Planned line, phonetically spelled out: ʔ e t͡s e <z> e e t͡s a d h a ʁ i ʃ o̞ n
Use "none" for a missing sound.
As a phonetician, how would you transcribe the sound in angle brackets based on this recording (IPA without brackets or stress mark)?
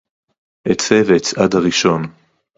v